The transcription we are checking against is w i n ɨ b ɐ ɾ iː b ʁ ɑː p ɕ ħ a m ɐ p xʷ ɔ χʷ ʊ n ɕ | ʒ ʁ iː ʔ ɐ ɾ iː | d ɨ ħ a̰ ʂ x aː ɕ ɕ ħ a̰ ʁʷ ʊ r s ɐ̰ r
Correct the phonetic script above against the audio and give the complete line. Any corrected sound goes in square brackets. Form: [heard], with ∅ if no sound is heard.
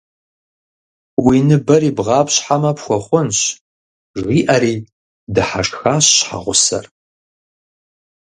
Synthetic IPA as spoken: w i n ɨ b ɐ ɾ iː b ʁ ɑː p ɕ ħ a m ɐ p xʷ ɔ χʷ ʊ n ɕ | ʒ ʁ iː ʔ ɐ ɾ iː | d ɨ ħ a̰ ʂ x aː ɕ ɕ ħ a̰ ʁʷ ʊ [∅] s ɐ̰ r